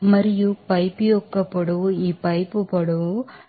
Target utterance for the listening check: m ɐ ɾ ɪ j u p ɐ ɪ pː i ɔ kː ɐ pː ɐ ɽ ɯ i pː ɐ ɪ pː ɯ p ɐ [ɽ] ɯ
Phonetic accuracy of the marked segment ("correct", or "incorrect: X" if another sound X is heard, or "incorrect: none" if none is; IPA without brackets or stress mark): correct